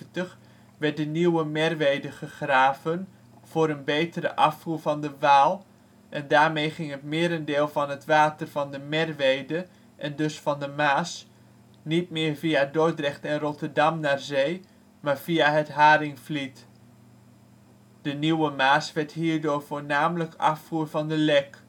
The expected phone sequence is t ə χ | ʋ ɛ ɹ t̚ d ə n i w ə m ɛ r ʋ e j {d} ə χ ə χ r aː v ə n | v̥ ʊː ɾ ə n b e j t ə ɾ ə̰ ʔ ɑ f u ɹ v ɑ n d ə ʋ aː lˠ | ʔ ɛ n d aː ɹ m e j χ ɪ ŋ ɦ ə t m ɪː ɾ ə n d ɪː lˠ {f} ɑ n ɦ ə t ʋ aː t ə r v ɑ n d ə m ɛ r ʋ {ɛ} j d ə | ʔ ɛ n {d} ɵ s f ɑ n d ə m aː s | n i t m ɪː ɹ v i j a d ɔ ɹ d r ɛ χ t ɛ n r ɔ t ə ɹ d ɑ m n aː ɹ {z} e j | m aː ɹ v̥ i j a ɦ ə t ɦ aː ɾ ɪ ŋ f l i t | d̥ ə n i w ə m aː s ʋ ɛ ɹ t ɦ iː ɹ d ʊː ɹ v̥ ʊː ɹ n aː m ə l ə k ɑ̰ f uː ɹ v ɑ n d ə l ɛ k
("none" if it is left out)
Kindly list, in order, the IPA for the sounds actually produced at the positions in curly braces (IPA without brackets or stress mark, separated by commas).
d, v, e, d, z